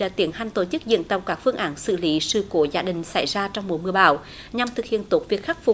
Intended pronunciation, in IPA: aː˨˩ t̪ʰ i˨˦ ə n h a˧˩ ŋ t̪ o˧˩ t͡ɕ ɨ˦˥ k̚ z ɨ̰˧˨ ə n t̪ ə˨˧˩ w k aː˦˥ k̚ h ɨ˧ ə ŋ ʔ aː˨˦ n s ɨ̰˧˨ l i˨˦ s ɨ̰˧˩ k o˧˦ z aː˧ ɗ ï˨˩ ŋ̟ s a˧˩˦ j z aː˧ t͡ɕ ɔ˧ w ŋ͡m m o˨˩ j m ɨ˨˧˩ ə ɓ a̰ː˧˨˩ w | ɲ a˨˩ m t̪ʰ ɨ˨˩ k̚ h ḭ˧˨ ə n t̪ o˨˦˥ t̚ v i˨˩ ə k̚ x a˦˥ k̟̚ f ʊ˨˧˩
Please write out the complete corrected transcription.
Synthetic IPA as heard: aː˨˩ t̪ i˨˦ ə n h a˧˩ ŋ t̪ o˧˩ t͡ɕ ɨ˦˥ k̚ z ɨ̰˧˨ ə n t̪ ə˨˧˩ w k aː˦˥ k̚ f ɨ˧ ə ŋ ʔ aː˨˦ n s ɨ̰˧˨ l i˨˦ s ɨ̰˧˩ k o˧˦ z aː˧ ɗ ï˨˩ ŋ̟ s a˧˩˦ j z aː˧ t͡ɕ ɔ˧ w ŋ͡m m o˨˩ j m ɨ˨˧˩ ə ɓ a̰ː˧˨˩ w | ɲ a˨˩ m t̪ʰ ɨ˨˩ k̚ h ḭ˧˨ ə n t̪ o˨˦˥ t̚ v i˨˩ ə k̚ x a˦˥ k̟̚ f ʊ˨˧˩